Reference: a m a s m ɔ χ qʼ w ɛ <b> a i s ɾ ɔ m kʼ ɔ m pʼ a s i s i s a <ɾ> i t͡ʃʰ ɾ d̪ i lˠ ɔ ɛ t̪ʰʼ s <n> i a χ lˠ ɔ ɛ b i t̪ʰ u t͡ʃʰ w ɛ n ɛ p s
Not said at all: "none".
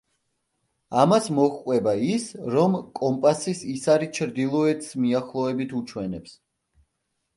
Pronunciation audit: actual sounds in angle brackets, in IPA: b, ɾ, m

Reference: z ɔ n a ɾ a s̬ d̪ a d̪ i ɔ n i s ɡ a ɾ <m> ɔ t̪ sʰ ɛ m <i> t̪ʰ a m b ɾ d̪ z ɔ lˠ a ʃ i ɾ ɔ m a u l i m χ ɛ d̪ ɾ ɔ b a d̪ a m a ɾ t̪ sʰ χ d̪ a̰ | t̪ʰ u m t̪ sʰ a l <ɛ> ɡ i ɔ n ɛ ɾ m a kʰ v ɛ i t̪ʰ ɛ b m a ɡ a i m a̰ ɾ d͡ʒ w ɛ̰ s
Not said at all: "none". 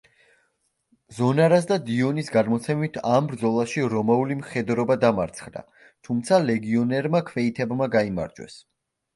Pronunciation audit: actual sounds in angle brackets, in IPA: m, i, ɛ

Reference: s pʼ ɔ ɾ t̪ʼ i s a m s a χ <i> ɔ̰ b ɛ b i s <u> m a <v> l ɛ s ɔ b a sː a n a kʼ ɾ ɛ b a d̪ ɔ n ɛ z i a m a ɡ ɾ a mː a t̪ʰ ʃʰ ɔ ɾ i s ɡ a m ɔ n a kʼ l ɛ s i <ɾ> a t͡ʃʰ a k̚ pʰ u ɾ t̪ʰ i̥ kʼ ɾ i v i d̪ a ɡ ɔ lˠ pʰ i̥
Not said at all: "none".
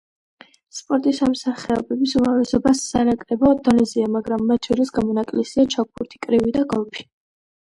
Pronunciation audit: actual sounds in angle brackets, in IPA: ɛ, u, v, none

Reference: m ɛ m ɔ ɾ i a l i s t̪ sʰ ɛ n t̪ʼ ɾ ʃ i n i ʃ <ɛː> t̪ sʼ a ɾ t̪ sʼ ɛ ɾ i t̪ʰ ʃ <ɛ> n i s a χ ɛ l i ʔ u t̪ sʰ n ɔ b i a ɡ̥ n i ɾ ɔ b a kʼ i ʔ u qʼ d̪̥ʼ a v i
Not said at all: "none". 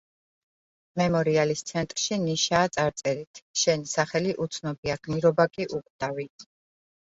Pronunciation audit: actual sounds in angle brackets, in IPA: aː, ɛ

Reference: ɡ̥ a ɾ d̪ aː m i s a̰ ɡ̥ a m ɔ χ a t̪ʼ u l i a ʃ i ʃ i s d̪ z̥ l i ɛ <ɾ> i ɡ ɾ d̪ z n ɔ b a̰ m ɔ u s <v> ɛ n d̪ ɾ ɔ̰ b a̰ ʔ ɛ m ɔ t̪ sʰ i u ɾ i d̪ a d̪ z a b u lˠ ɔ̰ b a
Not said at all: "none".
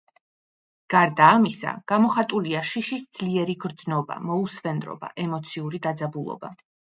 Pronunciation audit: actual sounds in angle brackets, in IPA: ɾ, v

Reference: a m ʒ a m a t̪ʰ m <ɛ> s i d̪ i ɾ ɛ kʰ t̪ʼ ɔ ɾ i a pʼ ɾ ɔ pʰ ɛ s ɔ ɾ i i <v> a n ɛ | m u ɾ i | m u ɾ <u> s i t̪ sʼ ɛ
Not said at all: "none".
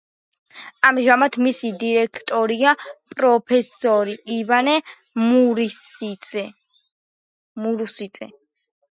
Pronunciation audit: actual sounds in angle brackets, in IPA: i, v, u

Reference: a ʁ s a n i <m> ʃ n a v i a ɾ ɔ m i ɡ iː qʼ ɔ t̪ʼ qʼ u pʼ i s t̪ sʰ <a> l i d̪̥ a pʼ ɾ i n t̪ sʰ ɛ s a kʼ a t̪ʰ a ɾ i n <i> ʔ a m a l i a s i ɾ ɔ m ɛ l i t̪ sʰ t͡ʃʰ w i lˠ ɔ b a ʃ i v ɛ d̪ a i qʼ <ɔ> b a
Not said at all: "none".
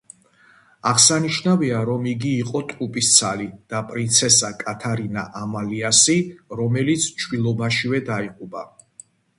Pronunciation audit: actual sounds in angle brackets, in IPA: none, a, a, u

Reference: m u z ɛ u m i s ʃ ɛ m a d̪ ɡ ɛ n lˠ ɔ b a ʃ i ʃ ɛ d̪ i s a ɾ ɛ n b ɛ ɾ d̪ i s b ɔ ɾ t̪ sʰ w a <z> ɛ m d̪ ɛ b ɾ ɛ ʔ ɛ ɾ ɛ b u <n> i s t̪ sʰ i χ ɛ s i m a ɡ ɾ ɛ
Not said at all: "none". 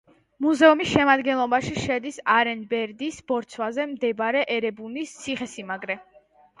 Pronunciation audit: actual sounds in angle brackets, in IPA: z, n

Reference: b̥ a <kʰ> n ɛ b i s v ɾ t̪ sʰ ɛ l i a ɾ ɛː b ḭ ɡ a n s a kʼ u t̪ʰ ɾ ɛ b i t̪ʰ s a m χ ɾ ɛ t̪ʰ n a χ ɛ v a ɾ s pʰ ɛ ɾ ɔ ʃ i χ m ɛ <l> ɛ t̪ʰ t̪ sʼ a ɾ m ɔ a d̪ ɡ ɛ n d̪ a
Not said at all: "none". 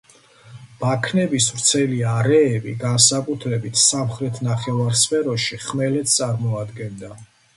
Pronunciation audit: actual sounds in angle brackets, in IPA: kʰ, l

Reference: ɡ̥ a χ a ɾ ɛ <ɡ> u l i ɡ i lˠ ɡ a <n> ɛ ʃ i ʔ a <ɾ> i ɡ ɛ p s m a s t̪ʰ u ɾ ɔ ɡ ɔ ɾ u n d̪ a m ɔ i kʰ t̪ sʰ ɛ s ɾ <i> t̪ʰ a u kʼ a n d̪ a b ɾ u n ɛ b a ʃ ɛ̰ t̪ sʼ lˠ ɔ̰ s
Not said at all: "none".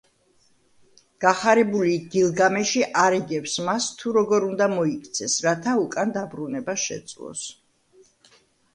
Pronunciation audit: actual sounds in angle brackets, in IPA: b, m, ɾ, a

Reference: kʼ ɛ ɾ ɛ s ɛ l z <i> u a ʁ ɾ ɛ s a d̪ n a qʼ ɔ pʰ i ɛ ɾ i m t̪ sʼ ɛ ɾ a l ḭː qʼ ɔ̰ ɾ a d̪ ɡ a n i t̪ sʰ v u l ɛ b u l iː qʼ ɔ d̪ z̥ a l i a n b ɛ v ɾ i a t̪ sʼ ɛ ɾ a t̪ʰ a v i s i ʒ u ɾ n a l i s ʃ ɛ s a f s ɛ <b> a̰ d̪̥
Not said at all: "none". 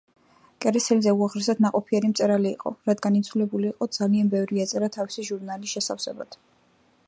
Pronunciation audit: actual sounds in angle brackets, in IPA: ɛ, b

